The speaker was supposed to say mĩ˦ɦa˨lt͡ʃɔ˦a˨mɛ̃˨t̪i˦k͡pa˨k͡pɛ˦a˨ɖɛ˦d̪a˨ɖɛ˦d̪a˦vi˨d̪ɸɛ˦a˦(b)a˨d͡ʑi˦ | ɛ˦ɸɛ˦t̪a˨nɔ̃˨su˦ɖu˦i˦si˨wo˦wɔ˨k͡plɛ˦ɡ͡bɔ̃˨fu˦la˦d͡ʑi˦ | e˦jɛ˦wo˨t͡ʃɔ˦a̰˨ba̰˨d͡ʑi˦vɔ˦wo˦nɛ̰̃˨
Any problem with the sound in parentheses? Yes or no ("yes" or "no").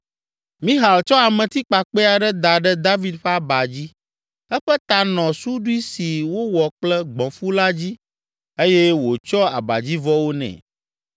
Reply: no